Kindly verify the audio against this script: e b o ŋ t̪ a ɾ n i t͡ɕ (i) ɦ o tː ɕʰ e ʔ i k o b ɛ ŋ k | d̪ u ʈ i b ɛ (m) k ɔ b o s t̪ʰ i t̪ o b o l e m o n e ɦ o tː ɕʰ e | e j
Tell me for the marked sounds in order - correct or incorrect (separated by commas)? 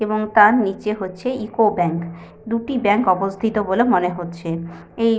incorrect, incorrect